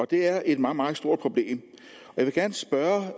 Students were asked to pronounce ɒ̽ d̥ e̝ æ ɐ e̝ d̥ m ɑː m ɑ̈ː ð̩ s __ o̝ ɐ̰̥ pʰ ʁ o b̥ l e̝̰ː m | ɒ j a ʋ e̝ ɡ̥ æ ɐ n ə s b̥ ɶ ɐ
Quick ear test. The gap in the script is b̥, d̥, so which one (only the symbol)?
d̥